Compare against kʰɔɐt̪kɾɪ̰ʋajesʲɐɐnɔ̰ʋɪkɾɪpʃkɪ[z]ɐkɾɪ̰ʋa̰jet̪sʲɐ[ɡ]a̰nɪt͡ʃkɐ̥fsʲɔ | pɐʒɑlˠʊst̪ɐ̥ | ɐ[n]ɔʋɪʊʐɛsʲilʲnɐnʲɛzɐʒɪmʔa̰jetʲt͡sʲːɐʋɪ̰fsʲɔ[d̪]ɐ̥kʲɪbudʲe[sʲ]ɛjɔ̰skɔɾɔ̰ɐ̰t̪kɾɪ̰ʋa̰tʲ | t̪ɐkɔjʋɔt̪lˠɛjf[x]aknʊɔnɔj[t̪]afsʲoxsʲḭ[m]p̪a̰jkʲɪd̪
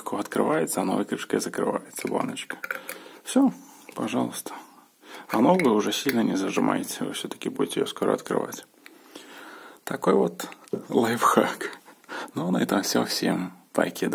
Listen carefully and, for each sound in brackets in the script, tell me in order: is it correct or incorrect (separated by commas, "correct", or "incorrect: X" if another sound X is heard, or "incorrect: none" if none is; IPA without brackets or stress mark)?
correct, incorrect: b, correct, incorrect: t̪, incorrect: tʲ, correct, correct, correct